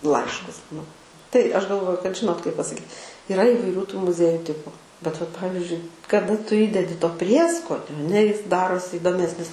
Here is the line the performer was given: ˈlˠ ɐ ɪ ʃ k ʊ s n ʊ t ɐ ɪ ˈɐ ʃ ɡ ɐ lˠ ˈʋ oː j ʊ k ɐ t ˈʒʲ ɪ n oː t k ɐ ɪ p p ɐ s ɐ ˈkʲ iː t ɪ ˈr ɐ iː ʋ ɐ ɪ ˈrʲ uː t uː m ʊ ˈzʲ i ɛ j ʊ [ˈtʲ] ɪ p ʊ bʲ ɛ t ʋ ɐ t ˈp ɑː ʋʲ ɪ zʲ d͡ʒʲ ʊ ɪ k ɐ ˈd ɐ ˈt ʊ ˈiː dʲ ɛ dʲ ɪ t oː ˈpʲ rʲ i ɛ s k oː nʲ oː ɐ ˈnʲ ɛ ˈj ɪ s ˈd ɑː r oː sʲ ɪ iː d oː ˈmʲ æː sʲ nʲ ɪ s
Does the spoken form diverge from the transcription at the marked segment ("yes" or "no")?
no